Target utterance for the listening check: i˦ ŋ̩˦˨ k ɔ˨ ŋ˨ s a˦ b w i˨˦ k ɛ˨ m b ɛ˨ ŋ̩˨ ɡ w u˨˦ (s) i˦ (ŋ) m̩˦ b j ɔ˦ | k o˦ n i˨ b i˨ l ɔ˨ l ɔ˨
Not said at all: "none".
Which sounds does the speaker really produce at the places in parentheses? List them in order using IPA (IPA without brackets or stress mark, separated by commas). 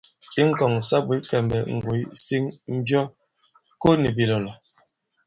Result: s, ŋ